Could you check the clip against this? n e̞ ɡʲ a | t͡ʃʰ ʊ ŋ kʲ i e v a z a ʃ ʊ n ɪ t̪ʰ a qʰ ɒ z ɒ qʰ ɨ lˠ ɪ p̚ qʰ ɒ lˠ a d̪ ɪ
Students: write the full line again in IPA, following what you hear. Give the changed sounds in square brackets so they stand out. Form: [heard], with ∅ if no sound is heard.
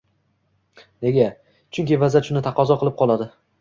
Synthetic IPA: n e̞ ɡʲ a | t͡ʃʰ ʊ ŋ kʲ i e v a z a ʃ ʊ n ɪ t̪ʰ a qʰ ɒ z ɒ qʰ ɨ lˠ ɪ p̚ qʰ ɒ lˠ a d̪ ɪ